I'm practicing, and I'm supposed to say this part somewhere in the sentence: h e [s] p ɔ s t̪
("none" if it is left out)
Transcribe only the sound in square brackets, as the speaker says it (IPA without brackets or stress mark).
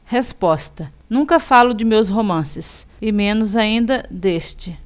s